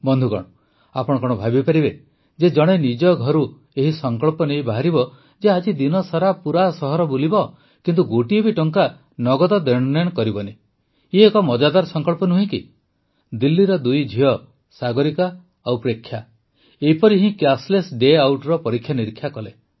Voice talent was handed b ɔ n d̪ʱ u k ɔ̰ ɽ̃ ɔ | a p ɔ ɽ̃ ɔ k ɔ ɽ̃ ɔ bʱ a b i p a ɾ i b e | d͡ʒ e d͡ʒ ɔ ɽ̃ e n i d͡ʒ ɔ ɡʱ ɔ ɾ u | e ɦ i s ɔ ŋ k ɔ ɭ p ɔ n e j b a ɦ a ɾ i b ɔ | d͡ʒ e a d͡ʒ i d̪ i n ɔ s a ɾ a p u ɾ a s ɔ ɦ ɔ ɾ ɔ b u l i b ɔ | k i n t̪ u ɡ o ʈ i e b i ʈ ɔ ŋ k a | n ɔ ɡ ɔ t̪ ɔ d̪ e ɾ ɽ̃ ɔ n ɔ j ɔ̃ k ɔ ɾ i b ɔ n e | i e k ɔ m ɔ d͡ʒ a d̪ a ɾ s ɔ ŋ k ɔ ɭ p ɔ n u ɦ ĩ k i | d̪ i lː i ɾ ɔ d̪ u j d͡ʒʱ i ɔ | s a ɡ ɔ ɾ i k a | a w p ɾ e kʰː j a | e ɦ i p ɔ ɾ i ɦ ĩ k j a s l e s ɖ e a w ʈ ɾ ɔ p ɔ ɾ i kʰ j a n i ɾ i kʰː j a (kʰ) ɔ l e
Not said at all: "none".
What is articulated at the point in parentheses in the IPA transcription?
k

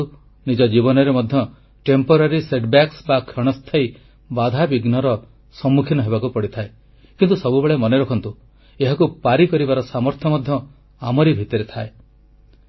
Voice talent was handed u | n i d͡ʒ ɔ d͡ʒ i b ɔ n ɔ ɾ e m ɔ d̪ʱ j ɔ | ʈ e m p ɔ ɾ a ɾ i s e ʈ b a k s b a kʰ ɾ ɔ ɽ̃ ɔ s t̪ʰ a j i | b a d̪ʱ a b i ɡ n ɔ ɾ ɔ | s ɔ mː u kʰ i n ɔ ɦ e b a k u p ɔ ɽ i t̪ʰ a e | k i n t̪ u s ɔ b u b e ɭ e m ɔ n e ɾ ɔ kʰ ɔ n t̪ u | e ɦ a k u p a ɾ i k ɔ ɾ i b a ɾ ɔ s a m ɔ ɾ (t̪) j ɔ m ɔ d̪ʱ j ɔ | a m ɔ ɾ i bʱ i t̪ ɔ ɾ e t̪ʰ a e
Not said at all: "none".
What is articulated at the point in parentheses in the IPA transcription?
t̪ʰ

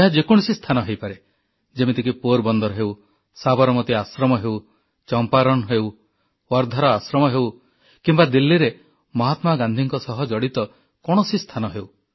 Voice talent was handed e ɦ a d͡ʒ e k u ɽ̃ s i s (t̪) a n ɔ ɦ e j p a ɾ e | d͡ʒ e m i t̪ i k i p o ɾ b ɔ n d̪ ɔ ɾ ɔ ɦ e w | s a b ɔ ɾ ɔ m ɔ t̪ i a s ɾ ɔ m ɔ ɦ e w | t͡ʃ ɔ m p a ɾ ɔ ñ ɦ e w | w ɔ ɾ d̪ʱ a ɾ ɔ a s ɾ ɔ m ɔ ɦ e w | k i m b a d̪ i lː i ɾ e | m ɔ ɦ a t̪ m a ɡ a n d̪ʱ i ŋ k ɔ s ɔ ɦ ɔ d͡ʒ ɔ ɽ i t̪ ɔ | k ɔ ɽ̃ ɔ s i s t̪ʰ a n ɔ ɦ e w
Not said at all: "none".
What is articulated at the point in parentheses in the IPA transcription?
t̪ʰ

